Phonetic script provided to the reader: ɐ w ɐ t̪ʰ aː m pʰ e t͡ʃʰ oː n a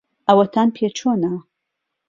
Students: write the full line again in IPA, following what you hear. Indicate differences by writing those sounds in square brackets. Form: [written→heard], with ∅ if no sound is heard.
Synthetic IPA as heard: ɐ w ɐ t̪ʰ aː [m→n] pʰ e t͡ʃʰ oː n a